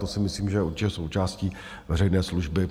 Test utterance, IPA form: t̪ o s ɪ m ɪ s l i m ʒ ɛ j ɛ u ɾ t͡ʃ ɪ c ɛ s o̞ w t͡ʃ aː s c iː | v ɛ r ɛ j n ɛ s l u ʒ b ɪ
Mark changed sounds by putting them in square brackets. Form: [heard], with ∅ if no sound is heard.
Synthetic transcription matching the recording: t̪ o s ɪ m ɪ s l [iː] m ʒ ɛ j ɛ u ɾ t͡ʃ ɪ c ɛ s o̞ w t͡ʃ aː s c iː | v ɛ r ɛ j n [ɛː] s l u ʒ b ɪ